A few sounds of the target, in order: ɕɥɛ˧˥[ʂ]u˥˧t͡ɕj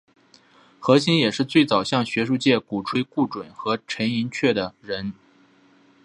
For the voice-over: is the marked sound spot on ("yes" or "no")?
yes